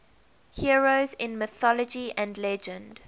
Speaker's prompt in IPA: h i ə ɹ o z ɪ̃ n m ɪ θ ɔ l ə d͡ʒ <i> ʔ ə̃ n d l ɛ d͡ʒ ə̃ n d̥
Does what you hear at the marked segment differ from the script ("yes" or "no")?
no